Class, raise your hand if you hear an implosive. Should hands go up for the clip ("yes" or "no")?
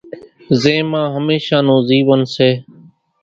no